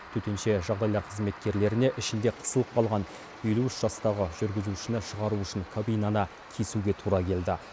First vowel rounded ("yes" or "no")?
yes